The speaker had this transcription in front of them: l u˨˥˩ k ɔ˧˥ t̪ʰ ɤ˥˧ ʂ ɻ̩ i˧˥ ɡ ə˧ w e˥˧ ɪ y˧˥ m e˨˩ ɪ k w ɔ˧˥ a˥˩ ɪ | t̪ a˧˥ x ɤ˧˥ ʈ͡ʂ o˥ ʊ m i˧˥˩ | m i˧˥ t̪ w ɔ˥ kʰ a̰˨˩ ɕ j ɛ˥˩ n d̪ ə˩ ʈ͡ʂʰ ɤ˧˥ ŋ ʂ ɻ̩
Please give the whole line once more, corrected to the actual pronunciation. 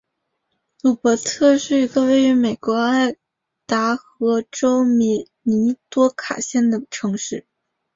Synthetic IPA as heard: l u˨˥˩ p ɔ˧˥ t̪ʰ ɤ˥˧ ʂ ɻ̩ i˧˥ ɡ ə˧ w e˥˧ ɪ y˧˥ m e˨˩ ɪ k w ɔ˧˥ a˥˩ ɪ | t̪ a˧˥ x ɤ˧˥ ʈ͡ʂ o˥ ʊ m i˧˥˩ | n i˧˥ t̪ w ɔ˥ kʰ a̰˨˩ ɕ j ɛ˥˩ n d̪ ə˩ ʈ͡ʂʰ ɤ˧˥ ŋ ʂ ɻ̩

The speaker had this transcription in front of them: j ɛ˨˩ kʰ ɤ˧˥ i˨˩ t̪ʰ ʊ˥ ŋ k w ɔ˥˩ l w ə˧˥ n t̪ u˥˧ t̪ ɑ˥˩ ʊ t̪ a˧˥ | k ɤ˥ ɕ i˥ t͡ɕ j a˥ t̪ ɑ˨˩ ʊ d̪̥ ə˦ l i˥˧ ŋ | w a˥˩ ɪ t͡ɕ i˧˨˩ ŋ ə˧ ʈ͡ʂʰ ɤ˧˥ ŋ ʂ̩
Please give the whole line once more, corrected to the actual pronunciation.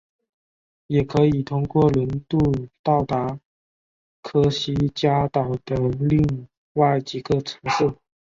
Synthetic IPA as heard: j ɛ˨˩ kʰ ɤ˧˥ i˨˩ t̪ʰ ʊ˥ ŋ k w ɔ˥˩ l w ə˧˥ n t̪ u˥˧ t̪ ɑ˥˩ ʊ t̪ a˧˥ | kʰ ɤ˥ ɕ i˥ t͡ɕ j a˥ t̪ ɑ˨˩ ʊ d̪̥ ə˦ l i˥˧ ŋ | w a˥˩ ɪ t͡ɕ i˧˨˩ ɡ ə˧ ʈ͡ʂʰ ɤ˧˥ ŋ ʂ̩

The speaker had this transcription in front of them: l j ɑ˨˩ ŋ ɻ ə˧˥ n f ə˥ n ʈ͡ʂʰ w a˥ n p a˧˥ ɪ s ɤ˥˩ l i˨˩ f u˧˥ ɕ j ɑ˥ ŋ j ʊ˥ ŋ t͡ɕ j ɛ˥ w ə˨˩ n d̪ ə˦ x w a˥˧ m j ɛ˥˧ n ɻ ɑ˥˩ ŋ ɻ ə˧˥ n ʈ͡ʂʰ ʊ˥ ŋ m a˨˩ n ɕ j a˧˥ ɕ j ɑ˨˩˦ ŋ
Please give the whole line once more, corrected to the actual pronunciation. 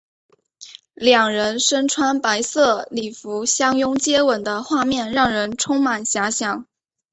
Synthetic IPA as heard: l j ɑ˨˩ ŋ ɻ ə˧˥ n ʂ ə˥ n ʈ͡ʂʰ w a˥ n p a˧˥ ɪ s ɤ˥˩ l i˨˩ f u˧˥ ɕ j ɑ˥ ŋ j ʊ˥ ŋ t͡ɕ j ɛ˥ w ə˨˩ n d̪ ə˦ x w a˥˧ m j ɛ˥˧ n ɻ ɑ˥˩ ŋ ɻ ə˧˥ n ʈ͡ʂʰ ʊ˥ ŋ m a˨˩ n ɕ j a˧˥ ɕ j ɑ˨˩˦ ŋ

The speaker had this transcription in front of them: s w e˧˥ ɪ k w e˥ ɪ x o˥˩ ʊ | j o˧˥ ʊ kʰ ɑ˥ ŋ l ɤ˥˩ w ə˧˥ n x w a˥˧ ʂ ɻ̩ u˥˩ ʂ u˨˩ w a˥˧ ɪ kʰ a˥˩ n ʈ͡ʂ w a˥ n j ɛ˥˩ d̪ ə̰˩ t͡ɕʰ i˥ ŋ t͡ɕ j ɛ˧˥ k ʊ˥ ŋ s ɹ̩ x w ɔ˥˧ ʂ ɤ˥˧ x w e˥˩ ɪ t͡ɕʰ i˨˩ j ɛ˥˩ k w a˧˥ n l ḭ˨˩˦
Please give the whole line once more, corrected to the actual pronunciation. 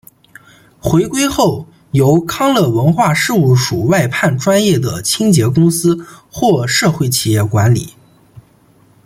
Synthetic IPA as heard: x w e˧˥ ɪ k w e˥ ɪ x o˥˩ ʊ | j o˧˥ ʊ kʰ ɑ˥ ŋ l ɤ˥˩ w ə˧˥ n x w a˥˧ ʂ ɻ̩ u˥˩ ʂ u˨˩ w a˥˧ ɪ pʰ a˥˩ n ʈ͡ʂ w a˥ n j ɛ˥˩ d̪ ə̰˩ t͡ɕʰ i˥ ŋ t͡ɕ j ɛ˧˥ k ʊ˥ ŋ s ɹ̩ x w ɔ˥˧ ʂ ɤ˥˧ x w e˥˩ ɪ t͡ɕʰ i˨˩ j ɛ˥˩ k w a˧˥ n l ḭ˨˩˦

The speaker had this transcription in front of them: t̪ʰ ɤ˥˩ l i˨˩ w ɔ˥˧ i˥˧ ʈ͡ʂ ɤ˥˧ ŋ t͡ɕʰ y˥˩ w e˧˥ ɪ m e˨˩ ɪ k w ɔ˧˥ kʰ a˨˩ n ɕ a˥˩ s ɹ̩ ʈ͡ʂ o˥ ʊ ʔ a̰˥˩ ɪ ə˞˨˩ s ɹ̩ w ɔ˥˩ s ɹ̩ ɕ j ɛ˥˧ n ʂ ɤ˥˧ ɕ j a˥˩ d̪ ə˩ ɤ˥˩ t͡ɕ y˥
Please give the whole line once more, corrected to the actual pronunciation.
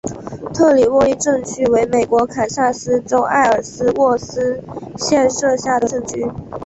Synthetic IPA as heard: t̪ʰ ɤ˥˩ l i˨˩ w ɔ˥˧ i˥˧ ʈ͡ʂ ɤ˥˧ ŋ t͡ɕʰ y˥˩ w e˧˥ ɪ m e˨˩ ɪ k w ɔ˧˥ kʰ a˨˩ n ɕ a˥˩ s ɹ̩ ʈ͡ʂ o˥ ʊ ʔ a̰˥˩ ɪ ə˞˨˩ s ɹ̩ w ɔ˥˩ s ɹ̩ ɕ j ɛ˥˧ n ʂ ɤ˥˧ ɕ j a˥˩ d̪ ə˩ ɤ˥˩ t͡ɕ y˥

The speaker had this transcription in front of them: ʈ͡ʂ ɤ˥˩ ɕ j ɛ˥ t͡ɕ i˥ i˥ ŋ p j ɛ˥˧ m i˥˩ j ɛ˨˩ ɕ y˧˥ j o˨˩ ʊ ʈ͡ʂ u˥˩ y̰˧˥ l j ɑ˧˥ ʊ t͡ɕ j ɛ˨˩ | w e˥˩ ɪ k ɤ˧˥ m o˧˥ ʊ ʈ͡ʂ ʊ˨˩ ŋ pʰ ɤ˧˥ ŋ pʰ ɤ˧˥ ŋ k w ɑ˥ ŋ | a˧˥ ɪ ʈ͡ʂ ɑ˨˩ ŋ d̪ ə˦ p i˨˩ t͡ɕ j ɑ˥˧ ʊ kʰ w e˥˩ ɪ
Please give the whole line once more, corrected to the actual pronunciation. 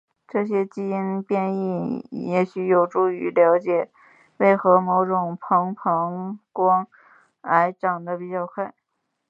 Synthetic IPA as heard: ʈ͡ʂ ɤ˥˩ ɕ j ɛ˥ t͡ɕ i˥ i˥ n p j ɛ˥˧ n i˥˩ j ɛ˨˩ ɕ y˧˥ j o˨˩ ʊ ʈ͡ʂ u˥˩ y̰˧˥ l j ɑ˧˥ ʊ t͡ɕ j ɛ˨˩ | w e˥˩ ɪ x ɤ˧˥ m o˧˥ ʊ ʈ͡ʂ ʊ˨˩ ŋ pʰ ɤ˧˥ ŋ pʰ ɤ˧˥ ŋ k w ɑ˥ ŋ | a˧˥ ɪ ʈ͡ʂ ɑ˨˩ ŋ d̪ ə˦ p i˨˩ t͡ɕ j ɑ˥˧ ʊ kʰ w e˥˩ ɪ

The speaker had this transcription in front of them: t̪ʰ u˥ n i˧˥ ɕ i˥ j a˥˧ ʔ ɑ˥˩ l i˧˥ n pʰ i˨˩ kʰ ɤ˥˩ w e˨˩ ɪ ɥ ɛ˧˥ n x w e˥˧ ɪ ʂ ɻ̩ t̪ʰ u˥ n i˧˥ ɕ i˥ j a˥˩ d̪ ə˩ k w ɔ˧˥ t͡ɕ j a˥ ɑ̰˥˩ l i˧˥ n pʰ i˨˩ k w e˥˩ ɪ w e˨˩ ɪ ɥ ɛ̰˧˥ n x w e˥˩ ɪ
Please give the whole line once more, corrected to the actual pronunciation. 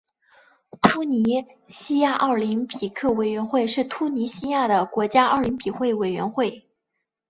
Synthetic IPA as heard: t̪ʰ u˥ n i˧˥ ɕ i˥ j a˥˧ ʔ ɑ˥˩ l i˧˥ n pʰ i˨˩ kʰ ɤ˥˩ w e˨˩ ɪ ɥ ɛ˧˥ n x w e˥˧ ɪ ʂ ɻ̩ t̪ʰ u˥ n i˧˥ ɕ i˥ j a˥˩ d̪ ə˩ k w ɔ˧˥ t͡ɕ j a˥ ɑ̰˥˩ l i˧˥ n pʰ i˨˩ x w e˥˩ ɪ w e˨˩ ɪ ɥ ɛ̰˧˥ n x w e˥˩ ɪ

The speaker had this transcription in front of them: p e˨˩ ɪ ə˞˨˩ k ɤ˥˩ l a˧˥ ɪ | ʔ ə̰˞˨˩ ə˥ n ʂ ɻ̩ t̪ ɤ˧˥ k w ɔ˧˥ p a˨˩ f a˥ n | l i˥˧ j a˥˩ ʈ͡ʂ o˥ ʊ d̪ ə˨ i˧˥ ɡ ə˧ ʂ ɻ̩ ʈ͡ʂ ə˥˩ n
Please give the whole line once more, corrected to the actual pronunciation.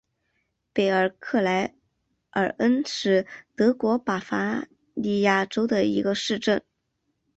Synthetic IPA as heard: p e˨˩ ɪ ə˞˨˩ kʰ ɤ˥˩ l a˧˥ ɪ | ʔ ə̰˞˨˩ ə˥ n ʂ ɻ̩ t̪ ɤ˧˥ k w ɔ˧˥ p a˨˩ f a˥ | l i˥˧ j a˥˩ ʈ͡ʂ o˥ ʊ d̪ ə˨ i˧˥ ɡ ə˧ ʂ ɻ̩ ʈ͡ʂ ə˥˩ n

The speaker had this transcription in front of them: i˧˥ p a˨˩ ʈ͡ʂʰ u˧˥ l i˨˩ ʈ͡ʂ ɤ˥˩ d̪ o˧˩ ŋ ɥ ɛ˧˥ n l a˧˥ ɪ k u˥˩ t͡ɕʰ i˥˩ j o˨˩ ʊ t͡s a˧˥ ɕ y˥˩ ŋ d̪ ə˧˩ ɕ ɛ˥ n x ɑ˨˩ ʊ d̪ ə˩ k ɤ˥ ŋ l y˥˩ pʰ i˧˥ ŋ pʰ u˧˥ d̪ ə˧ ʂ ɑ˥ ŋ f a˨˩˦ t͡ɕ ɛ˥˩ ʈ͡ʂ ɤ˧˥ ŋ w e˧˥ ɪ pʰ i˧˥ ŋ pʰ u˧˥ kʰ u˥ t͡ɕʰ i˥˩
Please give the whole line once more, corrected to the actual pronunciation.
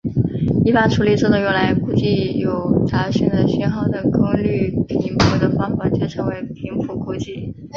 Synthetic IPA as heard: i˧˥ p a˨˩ ʈ͡ʂʰ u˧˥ l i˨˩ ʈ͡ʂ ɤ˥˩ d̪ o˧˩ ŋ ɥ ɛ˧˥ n l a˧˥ ɪ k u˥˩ t͡ɕ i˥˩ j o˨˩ ʊ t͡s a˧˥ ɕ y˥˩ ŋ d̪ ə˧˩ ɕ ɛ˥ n x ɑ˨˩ ʊ d̪ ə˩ k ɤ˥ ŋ l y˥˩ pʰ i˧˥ ŋ pʰ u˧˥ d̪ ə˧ f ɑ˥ ŋ f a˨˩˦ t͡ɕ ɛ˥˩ ʈ͡ʂʰ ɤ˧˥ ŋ w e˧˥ ɪ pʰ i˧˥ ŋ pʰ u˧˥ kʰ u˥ t͡ɕ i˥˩

